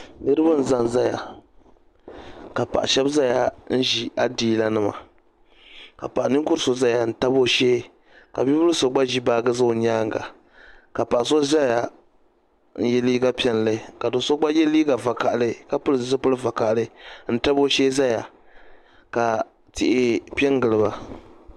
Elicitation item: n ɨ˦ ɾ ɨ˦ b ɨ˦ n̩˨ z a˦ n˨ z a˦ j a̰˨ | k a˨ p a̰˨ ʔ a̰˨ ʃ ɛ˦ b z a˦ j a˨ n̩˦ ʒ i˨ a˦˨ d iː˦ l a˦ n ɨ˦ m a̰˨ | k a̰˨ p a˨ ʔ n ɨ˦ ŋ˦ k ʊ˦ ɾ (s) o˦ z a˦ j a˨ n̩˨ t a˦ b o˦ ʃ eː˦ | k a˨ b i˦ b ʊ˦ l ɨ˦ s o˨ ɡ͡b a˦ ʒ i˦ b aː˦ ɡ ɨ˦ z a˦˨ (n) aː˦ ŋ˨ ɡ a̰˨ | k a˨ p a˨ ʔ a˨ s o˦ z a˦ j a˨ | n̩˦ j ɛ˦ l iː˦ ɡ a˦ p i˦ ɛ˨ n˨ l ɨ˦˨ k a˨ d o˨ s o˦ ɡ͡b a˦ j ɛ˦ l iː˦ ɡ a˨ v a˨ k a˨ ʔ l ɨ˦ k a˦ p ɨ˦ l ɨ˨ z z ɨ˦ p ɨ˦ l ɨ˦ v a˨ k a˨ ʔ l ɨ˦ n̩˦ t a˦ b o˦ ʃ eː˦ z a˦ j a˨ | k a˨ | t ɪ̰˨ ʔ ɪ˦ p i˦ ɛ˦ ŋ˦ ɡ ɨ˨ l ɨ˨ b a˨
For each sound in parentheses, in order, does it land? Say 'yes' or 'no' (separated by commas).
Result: yes, no